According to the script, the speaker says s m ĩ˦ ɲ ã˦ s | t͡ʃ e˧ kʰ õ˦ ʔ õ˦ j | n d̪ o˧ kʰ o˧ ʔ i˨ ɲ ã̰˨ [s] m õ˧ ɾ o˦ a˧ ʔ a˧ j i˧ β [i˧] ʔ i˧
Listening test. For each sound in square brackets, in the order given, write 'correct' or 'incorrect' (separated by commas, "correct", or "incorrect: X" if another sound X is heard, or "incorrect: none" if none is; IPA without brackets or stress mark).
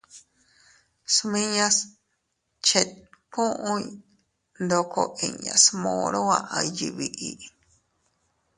correct, correct